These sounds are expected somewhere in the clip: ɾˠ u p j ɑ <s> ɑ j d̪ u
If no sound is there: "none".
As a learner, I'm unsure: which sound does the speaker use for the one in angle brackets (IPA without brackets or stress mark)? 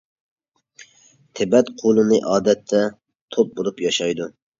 ʃ